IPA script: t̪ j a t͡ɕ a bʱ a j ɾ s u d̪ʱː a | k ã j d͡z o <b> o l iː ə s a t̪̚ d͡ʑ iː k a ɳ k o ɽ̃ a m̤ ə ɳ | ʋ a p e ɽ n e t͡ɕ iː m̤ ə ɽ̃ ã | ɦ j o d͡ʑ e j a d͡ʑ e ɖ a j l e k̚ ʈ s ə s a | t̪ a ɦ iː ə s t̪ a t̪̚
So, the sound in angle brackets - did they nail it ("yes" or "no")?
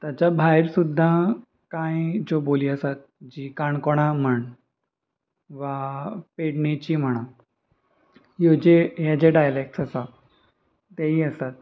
yes